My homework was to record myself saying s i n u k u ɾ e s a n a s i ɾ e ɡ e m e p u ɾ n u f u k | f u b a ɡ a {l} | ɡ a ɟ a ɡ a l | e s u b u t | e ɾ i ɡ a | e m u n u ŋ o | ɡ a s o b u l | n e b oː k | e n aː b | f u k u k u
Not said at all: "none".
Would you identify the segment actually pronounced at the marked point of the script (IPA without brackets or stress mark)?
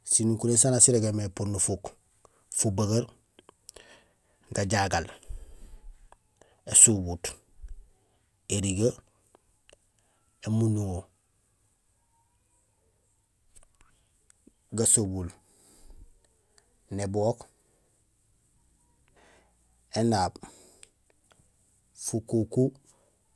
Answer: ɾ